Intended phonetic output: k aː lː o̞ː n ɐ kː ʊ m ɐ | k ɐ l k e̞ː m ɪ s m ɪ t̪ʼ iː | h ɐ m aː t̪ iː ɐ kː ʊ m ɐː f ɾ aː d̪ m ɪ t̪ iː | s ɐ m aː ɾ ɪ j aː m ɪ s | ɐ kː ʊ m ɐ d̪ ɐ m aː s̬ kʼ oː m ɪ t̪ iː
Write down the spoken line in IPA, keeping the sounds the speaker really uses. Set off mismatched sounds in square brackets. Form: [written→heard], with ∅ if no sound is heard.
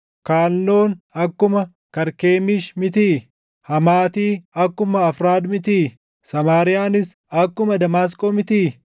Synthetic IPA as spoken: k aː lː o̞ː n ɐ kː ʊ m ɐ | k ɐ [l→ɾ] k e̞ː m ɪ [s→ʃ] m ɪ [t̪ʼ→t̪] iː | h ɐ m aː t̪ iː ɐ kː ʊ m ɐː f ɾ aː d̪ m ɪ t̪ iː | s ɐ m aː ɾ ɪ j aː [m→n] ɪ s | ɐ kː ʊ m ɐ d̪ ɐ m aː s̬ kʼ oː m ɪ t̪ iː